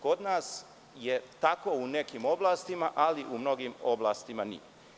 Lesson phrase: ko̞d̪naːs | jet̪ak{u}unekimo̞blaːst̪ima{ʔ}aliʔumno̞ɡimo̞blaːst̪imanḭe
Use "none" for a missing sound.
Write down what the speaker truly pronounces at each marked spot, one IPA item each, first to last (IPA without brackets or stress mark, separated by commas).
o, ʔ